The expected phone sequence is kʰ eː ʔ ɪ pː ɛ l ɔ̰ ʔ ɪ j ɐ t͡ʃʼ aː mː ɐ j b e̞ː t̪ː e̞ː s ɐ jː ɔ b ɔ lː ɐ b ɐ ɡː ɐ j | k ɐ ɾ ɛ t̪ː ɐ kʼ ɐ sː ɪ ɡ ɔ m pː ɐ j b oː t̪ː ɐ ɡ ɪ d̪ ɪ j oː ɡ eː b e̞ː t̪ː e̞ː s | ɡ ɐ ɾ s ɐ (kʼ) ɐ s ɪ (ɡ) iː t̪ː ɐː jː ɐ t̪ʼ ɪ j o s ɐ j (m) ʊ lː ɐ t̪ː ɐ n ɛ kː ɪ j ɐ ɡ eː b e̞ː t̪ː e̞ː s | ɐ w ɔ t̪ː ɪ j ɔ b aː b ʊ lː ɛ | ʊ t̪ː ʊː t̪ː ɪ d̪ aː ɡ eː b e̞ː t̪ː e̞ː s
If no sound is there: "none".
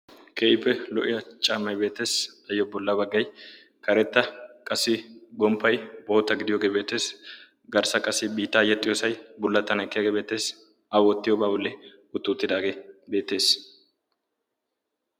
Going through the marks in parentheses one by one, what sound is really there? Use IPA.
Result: kʼ, b, b

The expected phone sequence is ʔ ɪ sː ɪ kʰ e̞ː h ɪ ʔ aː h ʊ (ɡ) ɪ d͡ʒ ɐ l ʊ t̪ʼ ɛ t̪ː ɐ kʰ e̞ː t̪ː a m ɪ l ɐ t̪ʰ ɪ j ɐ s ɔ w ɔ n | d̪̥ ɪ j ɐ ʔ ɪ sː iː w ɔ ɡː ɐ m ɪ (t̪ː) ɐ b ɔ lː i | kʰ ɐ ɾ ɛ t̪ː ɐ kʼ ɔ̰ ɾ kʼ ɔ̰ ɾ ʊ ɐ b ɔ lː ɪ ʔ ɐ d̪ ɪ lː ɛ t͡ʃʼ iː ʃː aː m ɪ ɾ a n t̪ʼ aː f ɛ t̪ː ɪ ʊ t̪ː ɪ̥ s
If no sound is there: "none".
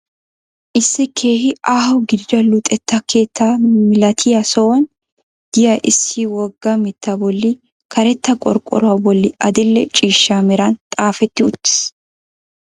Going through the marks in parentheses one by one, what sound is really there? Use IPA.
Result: ɡ, t̪ː

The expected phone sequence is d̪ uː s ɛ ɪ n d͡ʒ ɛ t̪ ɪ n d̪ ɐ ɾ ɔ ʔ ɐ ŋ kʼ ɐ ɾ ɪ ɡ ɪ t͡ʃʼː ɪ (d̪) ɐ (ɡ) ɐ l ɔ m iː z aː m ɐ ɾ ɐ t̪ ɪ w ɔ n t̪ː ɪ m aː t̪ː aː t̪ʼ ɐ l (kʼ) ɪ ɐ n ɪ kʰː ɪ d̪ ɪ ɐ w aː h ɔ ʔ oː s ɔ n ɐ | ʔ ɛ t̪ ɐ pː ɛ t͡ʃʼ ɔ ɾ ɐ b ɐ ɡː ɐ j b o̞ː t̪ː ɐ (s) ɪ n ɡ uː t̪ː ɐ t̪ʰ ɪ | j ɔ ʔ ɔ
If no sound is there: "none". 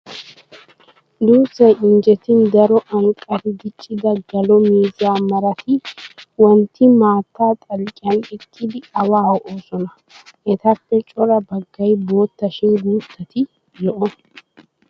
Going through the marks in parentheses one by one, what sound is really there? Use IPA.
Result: d̪, ɡ, kʼ, ʃ

